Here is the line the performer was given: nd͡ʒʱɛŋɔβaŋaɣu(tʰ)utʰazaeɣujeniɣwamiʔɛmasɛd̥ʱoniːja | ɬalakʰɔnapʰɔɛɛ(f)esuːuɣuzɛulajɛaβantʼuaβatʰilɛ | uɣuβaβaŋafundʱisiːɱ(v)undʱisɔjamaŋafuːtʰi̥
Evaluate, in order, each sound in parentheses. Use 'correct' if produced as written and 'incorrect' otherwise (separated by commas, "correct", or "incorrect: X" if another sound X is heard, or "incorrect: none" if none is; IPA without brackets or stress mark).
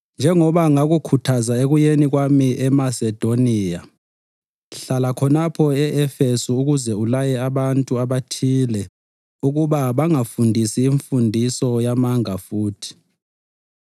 incorrect: kʰ, correct, incorrect: f